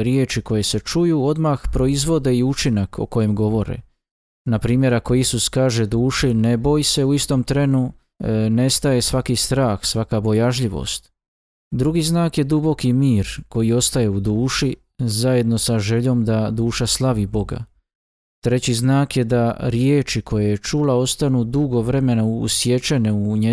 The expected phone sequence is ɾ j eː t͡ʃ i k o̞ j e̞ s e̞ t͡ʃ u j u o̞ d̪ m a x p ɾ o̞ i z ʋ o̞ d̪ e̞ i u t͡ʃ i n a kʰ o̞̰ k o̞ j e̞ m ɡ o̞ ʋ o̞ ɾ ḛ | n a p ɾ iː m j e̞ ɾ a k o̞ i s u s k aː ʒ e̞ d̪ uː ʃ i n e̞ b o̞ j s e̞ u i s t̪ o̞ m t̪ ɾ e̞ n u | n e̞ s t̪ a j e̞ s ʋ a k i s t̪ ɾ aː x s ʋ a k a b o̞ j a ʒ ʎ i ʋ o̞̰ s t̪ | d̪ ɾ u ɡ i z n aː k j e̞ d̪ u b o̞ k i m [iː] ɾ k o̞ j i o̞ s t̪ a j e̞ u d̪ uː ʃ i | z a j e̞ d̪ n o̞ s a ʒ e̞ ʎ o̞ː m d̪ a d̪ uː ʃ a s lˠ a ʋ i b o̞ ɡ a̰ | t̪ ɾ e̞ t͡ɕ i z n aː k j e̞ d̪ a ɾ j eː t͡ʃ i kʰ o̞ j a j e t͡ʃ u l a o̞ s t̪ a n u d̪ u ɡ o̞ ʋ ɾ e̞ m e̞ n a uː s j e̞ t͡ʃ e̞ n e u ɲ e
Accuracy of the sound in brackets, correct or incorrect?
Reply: correct